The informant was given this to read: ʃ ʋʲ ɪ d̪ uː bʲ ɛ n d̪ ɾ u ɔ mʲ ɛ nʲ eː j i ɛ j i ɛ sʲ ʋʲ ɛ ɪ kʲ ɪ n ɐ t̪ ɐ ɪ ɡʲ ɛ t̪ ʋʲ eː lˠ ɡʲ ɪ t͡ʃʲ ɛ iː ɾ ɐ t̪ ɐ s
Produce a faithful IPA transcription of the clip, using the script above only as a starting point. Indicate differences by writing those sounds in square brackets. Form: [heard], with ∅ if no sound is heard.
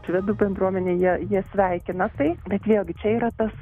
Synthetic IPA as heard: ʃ ʋʲ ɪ d̪ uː bʲ ɛ n d̪ ɾ u ɔ mʲ ɛ nʲ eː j i ɛ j i ɛ sʲ ʋʲ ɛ ɪ kʲ ɪ n ɐ t̪ ɐ ɪ [bʲ] ɛ t̪ ʋʲ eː lˠ ɡʲ ɪ t͡ʃʲ ɛ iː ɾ ɐ t̪ ɐ s